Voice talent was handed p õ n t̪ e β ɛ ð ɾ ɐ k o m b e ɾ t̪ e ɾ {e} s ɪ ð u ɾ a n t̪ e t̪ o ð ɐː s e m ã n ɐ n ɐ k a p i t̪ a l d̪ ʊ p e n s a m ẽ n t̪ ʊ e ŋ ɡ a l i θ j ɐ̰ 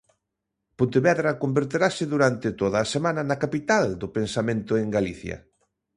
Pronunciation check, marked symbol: incorrect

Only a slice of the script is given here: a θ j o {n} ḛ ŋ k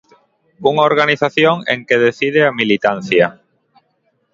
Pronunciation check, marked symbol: incorrect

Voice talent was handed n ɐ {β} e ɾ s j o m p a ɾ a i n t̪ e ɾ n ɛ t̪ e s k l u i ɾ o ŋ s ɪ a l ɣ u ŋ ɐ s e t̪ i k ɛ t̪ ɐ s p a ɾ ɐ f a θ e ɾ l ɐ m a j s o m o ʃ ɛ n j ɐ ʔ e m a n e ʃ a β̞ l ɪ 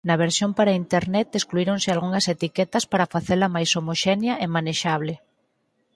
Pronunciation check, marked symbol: correct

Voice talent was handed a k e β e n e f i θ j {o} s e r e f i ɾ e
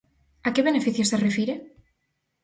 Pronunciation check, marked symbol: correct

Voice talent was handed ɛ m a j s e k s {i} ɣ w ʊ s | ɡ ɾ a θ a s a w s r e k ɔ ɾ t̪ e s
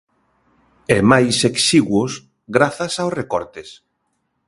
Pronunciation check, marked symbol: correct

